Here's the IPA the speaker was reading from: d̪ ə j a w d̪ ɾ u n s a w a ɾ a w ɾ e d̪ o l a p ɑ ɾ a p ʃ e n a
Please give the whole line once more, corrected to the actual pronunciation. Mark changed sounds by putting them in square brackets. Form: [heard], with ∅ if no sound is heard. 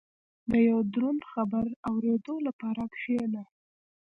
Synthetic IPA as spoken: d̪ ə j a w d̪ ɾ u n [x] a [b] a ɾ a w ɾ e d̪ o l a p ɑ ɾ a [k] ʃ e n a